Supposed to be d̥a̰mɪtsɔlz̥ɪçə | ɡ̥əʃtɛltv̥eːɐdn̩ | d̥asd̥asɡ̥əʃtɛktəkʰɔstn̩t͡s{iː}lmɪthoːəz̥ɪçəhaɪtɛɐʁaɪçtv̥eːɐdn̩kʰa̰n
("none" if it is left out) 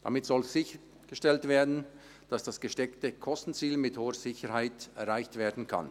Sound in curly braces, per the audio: iː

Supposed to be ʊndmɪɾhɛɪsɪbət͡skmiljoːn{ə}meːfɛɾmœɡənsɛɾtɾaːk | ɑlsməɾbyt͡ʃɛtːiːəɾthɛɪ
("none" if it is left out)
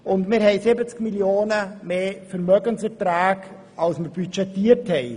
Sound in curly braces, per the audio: ə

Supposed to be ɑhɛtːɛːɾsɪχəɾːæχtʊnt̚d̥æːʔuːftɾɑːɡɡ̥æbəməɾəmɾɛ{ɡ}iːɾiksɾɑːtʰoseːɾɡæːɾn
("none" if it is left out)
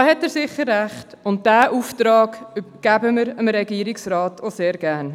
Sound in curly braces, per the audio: ɡ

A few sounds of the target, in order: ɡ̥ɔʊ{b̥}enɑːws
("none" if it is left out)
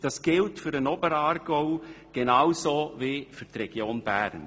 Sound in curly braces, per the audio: ɡ̥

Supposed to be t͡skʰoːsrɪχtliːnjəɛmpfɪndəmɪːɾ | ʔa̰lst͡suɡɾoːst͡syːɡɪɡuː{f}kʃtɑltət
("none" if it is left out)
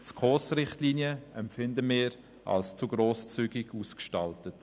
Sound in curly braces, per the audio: s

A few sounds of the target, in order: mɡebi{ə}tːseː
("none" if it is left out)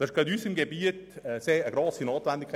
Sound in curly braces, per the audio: ə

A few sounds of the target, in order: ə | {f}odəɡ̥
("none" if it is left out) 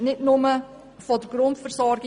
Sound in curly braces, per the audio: f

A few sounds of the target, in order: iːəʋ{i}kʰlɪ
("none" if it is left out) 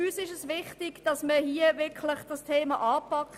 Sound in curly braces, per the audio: ɪ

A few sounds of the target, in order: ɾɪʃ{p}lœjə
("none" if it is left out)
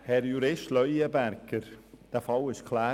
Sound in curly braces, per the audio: t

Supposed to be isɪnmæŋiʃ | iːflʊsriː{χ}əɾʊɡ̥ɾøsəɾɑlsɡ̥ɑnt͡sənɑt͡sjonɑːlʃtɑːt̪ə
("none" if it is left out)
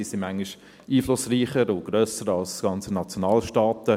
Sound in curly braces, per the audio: χ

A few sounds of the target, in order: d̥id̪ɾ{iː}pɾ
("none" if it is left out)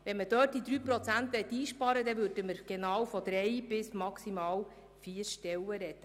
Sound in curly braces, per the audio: yː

